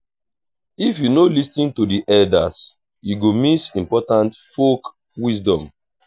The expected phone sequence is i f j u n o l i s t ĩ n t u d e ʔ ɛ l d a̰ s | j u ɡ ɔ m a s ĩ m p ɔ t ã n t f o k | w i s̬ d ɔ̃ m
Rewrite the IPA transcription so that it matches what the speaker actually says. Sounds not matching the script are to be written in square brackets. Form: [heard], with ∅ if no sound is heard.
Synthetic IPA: i f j u n o l i s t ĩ n t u d [i] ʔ ɛ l d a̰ s | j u ɡ [o] m [i] s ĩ m p ɔ t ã n t f o k | w i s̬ d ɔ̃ m